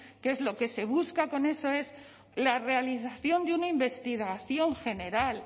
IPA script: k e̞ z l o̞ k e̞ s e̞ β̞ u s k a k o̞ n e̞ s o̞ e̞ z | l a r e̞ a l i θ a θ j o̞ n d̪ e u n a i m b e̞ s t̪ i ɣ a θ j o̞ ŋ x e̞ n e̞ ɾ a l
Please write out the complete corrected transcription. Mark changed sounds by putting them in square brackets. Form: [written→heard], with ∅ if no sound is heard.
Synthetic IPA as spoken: k e̞ z l o̞ k e̞ s e̞ β̞ u s k a k o̞ n e̞ s o̞ e̞ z | l a r e̞ a l i θ a θ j o̞ n d̪ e u n a i m b e̞ s t̪ i ɣ a θ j o̞ ŋ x e̞ n e̞ ɾ a l